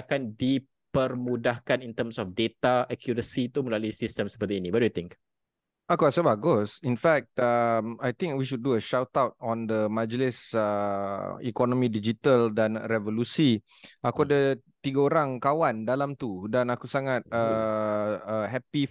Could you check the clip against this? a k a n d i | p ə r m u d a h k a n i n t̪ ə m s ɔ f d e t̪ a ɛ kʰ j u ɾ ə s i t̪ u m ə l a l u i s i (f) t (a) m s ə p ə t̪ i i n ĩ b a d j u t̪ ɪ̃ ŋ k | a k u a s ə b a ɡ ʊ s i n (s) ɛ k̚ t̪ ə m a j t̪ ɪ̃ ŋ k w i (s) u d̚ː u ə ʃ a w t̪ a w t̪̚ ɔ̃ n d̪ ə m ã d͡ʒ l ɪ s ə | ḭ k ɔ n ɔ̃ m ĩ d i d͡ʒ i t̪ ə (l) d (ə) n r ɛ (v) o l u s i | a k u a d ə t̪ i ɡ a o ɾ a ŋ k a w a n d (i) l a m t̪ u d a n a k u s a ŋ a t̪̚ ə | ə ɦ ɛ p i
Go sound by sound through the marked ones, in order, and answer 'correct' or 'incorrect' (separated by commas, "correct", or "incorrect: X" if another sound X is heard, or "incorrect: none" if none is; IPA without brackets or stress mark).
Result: incorrect: s, incorrect: ə, incorrect: f, incorrect: ʃ, correct, incorrect: a, correct, incorrect: a